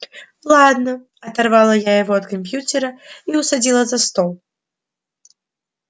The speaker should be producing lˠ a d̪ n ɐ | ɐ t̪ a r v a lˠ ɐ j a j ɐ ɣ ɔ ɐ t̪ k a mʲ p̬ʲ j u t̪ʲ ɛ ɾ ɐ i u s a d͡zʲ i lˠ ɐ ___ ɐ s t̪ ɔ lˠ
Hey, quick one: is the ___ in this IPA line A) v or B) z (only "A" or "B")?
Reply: B